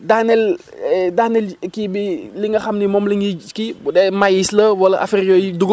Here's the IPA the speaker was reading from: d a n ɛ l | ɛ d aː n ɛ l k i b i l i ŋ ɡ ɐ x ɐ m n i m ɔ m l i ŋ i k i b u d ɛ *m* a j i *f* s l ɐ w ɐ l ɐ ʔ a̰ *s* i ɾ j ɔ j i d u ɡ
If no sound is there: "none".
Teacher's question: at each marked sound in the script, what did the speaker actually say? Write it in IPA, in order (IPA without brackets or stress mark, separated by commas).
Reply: m, none, f